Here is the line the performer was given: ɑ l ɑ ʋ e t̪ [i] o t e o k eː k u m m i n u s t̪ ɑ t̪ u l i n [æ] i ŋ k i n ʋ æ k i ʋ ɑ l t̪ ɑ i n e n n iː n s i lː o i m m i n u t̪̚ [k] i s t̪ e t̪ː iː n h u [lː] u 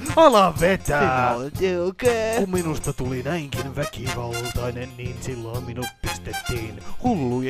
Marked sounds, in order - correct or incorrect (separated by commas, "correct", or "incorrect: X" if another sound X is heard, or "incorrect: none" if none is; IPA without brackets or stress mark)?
incorrect: æ, correct, incorrect: p, correct